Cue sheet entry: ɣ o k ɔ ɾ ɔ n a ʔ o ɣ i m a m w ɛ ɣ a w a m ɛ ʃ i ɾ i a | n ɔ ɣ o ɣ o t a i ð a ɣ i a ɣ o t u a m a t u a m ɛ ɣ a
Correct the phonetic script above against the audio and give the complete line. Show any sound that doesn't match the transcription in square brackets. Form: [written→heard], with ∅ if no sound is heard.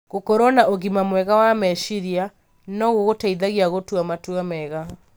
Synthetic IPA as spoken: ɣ o k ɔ ɾ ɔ n a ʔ o ɣ i m a m w ɛ ɣ a w a m ɛ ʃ i ɾ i a | n ɔ ɣ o ɣ o t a i ð a ɣ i a ɣ o t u a m a t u a m ɛ ɣ a